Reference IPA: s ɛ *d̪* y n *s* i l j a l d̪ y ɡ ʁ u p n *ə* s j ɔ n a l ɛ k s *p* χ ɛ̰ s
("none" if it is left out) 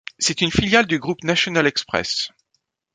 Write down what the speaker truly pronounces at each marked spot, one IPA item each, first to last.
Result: t̪, f, a, p

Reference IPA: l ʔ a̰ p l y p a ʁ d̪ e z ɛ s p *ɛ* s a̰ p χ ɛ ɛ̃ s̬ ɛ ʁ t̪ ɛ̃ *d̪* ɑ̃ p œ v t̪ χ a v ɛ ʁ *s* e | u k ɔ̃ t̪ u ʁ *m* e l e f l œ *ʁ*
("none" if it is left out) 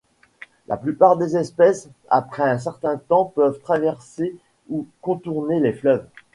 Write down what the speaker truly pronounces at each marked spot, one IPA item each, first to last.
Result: ɛ, t̪, s, n, v

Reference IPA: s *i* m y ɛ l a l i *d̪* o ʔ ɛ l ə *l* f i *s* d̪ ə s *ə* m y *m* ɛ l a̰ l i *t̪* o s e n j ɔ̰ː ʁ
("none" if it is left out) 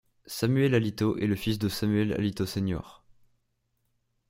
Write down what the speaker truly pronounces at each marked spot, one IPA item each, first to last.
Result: a, t̪, none, s, a, none, t̪

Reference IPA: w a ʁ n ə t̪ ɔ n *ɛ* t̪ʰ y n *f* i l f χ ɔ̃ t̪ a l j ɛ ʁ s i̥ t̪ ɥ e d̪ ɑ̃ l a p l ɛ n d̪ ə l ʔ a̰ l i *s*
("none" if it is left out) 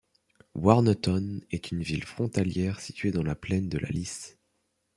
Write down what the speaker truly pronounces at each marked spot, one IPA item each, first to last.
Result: ɛ, v, s

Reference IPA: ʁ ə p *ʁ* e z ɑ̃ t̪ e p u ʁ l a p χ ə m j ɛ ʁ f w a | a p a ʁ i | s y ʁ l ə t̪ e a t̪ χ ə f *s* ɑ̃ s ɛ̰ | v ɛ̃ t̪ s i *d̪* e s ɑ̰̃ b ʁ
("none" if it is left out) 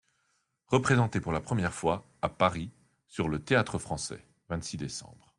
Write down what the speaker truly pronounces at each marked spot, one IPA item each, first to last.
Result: χ, χ, d̪

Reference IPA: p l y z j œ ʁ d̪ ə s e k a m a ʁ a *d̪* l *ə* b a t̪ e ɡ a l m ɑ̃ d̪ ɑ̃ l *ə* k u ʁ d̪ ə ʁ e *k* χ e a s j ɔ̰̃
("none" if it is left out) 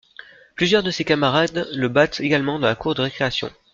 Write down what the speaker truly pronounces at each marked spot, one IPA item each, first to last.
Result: d̪, ə, a, k

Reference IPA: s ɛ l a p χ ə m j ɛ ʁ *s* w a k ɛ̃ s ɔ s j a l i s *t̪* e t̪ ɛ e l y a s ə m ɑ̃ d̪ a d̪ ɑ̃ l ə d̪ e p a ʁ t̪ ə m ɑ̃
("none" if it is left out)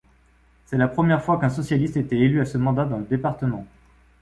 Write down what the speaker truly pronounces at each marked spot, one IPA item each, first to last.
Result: f, t̪

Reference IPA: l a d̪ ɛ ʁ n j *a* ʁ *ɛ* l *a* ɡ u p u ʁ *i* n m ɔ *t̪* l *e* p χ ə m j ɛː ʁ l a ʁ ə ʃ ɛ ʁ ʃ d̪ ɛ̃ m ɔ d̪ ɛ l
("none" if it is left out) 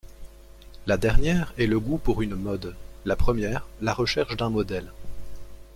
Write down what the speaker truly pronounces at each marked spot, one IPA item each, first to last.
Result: ɛ, ɛ, ə, y, d̪, a

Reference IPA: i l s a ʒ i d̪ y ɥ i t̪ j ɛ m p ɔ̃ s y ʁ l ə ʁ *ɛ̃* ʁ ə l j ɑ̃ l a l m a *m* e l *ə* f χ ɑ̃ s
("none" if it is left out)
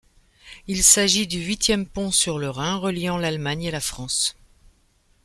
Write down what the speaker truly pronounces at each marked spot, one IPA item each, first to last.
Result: ɛ̃, ɲ, a

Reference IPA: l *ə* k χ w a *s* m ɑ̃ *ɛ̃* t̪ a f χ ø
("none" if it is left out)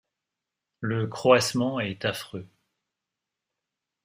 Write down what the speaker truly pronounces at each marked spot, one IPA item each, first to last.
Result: ə, s, ɛ

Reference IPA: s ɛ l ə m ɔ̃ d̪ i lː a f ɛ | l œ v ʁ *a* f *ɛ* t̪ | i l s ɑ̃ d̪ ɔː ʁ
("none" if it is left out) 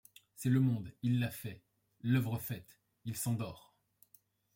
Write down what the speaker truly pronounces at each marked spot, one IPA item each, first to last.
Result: ə, ɛ

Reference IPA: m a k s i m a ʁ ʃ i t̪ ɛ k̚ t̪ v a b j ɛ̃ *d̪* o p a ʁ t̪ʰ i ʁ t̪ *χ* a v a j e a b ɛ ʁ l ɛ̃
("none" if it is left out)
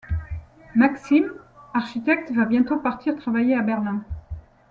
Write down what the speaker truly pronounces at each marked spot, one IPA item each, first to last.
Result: t̪, χ

